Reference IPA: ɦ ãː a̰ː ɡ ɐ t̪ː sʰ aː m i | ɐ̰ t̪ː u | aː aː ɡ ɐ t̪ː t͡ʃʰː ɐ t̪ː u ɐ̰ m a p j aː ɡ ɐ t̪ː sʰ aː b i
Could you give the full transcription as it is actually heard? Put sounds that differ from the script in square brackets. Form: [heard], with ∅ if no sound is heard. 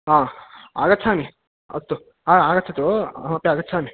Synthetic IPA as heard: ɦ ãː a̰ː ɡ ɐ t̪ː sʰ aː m i | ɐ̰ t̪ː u | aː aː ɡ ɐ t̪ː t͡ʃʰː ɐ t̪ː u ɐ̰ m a p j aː ɡ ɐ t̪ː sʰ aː [m] i